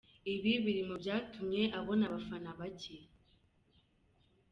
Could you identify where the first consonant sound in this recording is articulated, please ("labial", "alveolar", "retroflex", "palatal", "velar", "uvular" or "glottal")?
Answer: labial